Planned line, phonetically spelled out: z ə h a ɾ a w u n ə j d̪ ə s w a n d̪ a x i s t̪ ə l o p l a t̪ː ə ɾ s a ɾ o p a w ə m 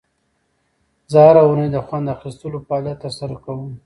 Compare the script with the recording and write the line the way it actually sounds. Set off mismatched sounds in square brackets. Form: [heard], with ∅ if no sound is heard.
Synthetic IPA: z ə h a ɾ a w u n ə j d̪ ə [x] w a n d̪ a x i s t̪ ə l o p l a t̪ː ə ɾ s a ɾ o [k] a w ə m